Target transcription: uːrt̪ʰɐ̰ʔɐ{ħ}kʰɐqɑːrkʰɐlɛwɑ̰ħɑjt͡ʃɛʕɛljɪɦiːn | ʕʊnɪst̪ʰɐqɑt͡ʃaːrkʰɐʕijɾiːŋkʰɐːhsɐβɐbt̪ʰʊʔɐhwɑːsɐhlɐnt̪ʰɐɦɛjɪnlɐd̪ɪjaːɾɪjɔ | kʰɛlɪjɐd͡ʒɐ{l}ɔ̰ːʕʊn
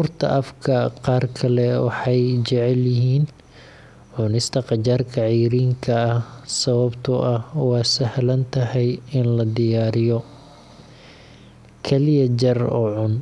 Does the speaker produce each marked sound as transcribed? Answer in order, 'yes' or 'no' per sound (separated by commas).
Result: no, no